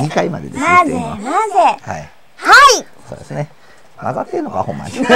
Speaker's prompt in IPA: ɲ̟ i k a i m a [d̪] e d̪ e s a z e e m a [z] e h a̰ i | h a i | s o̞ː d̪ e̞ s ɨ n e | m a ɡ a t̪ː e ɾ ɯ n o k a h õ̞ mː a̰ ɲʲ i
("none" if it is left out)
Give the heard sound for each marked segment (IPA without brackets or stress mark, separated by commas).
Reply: d̪, z